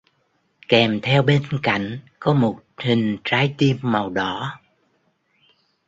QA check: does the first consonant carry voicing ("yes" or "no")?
no